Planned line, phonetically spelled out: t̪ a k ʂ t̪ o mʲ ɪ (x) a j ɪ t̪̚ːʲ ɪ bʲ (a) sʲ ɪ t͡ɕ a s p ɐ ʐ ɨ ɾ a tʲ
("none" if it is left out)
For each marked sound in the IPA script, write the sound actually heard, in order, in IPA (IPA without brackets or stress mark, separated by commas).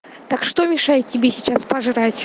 ʂ, e